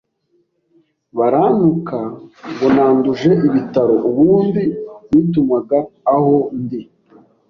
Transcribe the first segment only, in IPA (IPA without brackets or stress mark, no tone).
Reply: β